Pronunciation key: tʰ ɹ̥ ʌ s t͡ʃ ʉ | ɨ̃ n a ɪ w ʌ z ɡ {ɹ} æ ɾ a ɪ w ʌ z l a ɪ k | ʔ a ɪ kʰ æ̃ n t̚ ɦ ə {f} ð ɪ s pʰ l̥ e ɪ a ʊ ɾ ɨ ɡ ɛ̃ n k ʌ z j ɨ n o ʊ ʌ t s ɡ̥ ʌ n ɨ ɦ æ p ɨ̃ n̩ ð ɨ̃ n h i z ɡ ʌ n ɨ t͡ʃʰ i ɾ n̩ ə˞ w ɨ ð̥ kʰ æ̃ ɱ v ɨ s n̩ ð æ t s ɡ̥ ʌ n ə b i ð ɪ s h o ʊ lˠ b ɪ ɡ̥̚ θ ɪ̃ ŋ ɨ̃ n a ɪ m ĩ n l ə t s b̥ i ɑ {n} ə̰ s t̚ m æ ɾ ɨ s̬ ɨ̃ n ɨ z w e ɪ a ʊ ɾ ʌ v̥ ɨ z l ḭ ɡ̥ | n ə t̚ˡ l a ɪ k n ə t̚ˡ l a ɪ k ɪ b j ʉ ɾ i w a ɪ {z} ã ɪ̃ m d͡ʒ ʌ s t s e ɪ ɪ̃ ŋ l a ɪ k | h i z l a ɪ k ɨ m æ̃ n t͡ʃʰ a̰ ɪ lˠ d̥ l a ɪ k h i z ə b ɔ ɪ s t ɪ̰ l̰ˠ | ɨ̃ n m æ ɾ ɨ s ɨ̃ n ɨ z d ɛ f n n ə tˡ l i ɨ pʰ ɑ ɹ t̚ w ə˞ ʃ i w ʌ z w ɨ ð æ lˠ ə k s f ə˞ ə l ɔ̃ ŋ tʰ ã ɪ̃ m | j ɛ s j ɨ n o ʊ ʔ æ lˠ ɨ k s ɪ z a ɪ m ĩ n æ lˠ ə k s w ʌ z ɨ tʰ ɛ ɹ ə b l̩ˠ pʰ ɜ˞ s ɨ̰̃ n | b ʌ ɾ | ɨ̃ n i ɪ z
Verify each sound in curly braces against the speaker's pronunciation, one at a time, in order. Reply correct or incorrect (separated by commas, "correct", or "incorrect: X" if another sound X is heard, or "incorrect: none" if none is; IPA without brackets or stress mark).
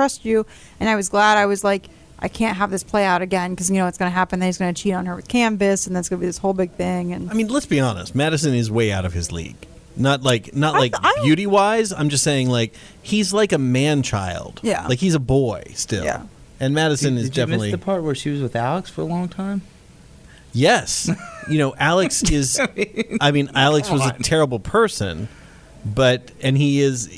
incorrect: l, incorrect: v, correct, correct